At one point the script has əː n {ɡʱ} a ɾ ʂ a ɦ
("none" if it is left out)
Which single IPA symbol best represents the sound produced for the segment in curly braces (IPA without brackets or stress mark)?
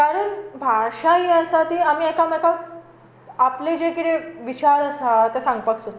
bʱ